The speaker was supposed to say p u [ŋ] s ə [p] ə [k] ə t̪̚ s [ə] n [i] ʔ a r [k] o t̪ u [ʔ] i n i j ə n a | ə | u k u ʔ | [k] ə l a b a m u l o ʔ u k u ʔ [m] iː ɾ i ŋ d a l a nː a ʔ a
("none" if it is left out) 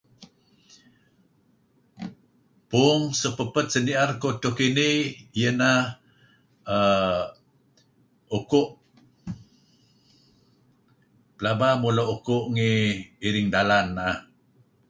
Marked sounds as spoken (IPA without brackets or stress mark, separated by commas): ŋ, p, p, ə, i, k, k, p, ŋ